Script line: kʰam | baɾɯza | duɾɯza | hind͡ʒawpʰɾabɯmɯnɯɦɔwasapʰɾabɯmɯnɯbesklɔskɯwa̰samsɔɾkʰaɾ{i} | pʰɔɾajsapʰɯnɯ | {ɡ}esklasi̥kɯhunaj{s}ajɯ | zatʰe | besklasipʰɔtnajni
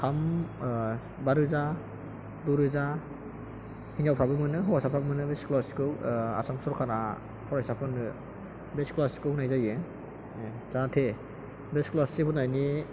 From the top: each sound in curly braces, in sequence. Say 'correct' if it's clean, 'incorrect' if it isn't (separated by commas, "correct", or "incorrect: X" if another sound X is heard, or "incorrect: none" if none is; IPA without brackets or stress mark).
incorrect: a, incorrect: b, incorrect: z